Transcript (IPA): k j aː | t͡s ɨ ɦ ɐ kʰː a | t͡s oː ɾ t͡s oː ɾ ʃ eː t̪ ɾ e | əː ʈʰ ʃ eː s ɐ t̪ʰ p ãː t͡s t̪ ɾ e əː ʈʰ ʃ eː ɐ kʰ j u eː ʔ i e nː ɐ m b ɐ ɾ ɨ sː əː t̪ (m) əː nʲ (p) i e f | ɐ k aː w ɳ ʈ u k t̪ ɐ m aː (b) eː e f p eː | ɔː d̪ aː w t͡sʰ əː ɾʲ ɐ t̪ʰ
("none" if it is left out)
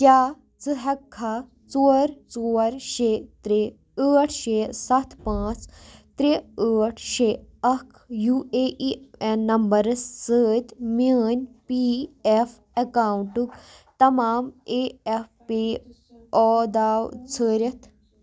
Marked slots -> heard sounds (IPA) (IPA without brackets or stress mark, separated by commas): m, p, m